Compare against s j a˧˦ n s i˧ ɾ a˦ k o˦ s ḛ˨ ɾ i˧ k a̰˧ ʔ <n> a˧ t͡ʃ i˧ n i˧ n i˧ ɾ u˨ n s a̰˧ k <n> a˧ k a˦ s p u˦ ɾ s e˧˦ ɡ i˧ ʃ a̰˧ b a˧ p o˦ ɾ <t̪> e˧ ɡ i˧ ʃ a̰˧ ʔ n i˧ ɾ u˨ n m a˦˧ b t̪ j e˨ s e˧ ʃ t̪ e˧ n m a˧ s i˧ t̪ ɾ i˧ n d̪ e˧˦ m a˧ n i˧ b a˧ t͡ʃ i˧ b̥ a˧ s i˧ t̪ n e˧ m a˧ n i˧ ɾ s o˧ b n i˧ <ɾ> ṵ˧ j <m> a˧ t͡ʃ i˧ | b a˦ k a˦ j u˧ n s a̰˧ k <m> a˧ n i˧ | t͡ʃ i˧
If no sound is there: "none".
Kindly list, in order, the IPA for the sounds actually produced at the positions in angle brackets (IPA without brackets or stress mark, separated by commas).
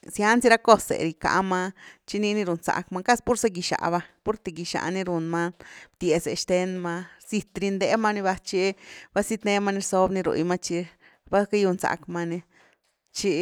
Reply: m, m, t̪, ɾ, m, m